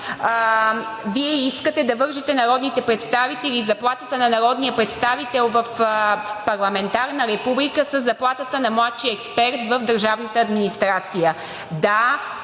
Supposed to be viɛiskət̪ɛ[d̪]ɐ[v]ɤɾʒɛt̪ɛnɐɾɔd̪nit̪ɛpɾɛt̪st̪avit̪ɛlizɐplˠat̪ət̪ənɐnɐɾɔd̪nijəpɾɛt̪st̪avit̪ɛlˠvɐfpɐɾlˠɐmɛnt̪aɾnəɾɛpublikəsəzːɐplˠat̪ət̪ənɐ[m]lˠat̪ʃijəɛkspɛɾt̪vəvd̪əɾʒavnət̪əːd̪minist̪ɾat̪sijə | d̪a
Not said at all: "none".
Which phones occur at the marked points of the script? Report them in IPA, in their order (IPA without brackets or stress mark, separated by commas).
d̪, v, m